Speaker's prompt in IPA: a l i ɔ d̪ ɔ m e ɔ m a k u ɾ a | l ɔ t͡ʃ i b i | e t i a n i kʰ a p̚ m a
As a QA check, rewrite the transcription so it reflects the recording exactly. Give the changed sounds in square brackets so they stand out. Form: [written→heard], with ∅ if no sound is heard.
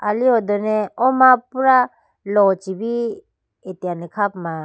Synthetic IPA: a l i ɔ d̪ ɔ [m→n] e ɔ m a [k→p] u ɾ a | l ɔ t͡ʃ i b i | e t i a n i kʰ a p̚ m a